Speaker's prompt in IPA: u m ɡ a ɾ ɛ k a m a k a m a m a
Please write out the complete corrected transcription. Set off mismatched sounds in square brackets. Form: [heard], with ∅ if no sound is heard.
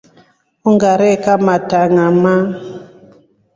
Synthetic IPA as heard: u [ŋ] ɡ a ɾ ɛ k a m a [t] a [ŋ] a m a